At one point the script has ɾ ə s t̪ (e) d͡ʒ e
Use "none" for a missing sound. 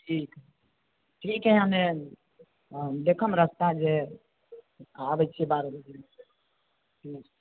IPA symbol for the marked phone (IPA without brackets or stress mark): a